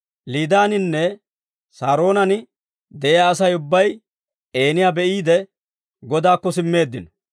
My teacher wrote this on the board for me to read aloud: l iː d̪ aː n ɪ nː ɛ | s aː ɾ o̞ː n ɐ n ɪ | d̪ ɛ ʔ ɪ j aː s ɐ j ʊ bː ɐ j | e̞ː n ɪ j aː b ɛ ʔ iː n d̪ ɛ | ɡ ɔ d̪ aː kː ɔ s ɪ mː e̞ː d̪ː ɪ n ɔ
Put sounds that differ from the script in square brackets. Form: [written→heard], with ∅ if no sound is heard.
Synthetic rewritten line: l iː d̪ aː n ɪ nː ɛ | s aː ɾ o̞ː n ɐ n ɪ | d̪ ɛ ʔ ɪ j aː s ɐ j ʊ bː ɐ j | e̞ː n ɪ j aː b ɛ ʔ iː [n→∅] d̪ ɛ | ɡ ɔ d̪ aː kː ɔ s ɪ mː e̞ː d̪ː ɪ n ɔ

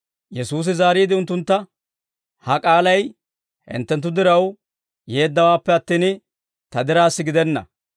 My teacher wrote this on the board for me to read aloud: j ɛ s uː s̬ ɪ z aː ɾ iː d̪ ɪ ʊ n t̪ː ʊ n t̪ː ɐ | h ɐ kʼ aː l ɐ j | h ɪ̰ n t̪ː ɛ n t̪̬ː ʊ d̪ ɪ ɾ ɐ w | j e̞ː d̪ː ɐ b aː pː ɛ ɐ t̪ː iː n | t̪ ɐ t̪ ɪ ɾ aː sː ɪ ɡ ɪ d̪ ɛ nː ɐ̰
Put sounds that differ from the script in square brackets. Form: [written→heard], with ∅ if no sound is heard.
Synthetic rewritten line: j ɛ s uː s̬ ɪ z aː ɾ iː d̪ ɪ ʊ n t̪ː ʊ n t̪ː ɐ | h ɐ kʼ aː l ɐ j | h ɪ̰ n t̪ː ɛ n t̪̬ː ʊ d̪ ɪ ɾ ɐ w | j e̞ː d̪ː ɐ [b→w] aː pː ɛ ɐ t̪ː iː n | t̪ ɐ [t̪→d̪] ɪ ɾ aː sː ɪ ɡ ɪ d̪ ɛ nː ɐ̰

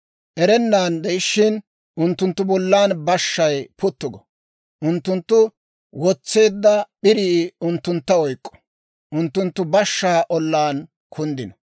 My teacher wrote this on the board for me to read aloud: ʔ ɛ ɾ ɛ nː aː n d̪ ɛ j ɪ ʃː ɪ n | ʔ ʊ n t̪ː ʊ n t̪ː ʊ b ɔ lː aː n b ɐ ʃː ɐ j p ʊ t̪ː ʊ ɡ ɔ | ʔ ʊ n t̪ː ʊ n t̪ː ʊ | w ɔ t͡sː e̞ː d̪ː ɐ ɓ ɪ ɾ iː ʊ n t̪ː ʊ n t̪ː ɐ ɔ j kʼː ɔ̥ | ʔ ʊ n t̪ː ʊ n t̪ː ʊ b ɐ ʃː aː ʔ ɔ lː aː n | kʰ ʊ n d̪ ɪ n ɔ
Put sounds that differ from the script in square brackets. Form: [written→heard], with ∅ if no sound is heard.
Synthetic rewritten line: ʔ ɛ ɾ ɛ nː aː n d̪ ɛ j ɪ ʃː ɪ n | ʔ ʊ n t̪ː ʊ n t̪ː ʊ b ɔ lː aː n b ɐ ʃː ɐ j p ʊ t̪ː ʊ ɡ ɔ | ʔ ʊ n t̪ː ʊ n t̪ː ʊ | w ɔ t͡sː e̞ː d̪ː ɐ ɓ ɪ ɾ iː ʊ n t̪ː ʊ n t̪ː ɐ ɔ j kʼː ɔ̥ | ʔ ʊ n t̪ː ʊ n t̪ː ʊ b ɐ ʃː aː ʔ ɔ lː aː n | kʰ ʊ n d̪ ɪ n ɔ

